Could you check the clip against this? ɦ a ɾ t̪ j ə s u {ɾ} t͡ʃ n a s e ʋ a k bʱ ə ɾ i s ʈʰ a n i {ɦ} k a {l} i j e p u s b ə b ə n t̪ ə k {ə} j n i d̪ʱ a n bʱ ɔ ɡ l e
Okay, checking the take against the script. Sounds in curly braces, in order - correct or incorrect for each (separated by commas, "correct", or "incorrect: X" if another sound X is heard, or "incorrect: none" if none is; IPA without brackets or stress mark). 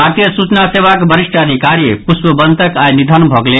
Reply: incorrect: none, incorrect: none, incorrect: ɾ, incorrect: a